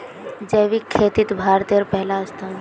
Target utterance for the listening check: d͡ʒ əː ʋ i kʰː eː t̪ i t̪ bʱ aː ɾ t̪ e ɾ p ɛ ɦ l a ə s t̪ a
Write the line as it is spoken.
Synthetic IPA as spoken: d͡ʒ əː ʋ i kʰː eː t̪ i t̪ bʱ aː ɾ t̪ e ɾ p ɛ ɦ l a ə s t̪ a